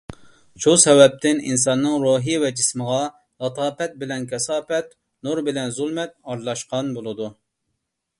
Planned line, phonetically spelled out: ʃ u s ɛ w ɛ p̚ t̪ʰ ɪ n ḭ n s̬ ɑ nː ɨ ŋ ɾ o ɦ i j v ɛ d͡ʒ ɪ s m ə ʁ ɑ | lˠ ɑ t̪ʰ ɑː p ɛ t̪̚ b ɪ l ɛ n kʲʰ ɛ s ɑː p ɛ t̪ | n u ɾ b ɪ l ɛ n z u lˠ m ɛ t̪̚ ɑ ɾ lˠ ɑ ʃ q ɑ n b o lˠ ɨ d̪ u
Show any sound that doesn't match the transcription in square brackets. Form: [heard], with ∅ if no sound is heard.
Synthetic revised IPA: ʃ u s ɛ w ɛ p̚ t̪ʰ ɪ n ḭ n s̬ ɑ nː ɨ ŋ ɾ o ɦ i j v ɛ d͡ʒ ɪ s m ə ʁ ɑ | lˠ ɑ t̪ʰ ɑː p ɛ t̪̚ b ɪ l ɛ n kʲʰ ɛ s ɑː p ɛ t̪ | n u ɾ b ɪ l ɛ n z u lˠ m ɛ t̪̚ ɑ ɾ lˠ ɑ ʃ q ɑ n b o lˠ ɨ d̪ u